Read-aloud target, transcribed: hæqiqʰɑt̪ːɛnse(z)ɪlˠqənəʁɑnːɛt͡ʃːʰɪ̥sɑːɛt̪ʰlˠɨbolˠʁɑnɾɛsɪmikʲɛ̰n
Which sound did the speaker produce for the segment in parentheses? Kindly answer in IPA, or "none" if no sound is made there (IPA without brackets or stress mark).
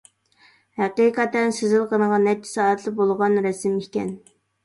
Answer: z